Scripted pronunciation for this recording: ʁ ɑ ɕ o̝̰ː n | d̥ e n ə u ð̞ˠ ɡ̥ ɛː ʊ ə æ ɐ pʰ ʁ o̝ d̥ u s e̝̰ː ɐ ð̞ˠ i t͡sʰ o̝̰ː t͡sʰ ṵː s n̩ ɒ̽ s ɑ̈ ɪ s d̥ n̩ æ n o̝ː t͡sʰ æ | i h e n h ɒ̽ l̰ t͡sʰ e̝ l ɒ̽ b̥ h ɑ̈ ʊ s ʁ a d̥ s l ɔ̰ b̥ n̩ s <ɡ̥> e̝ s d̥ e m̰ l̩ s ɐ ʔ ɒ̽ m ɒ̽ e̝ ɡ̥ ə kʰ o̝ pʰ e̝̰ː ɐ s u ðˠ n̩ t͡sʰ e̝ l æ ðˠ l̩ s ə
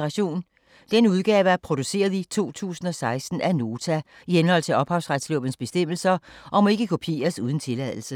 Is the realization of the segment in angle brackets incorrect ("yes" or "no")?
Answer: yes